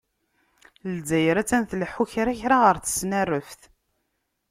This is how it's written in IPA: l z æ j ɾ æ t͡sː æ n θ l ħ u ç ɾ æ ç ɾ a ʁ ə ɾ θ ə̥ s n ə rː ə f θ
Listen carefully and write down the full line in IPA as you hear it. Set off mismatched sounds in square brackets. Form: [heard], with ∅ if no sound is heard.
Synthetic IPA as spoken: l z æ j ɾ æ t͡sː æ n θ l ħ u ç ɾ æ ç ɾ a ʁ ə ɾ θ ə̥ s n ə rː ə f θ